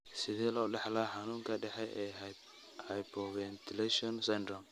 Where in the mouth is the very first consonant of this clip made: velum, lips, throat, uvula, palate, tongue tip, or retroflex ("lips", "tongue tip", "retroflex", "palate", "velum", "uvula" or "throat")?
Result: tongue tip